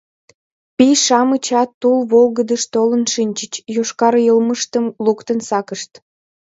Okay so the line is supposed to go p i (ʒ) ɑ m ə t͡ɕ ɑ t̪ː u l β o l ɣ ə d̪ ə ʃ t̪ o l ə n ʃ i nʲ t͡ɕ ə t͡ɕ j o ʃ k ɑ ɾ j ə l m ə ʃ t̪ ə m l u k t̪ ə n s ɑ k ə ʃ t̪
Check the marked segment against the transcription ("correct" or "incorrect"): incorrect